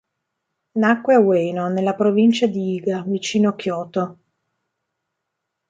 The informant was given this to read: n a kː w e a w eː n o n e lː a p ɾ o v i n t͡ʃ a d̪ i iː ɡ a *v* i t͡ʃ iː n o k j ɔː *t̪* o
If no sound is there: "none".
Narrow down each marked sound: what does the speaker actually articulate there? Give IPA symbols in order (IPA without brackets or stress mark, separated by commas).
v, t̪